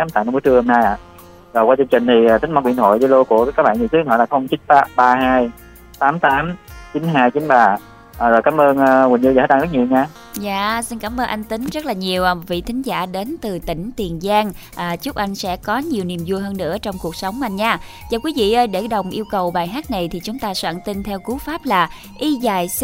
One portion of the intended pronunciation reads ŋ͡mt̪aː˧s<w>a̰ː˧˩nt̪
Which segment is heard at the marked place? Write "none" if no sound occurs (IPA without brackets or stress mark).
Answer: w